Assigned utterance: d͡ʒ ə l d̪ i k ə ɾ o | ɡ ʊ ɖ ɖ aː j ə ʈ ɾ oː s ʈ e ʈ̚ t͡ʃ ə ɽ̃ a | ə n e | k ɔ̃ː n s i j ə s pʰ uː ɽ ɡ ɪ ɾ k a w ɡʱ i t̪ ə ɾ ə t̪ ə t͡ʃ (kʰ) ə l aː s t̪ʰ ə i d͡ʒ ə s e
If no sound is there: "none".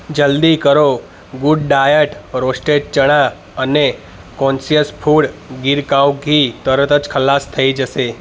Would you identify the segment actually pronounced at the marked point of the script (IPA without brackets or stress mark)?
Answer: kʰ